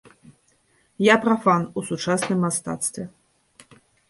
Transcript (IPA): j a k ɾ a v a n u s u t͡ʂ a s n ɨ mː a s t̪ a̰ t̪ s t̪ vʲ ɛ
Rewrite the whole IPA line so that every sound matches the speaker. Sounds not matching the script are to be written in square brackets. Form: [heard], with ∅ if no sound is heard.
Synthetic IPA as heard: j a [p] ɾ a [f] a n u s u t͡ʂ a s n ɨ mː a s t̪ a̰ t̪ s t̪ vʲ ɛ